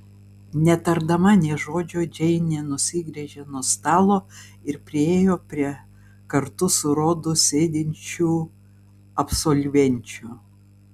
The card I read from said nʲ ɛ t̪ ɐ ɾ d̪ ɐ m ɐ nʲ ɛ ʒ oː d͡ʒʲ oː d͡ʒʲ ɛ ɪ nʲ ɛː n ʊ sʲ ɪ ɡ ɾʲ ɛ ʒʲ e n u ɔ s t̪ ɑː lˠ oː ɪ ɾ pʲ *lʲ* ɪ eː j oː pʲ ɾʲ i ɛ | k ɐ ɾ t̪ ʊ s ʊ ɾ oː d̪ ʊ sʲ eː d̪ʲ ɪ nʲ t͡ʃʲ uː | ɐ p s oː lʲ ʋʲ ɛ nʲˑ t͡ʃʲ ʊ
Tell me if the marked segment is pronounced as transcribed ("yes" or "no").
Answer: no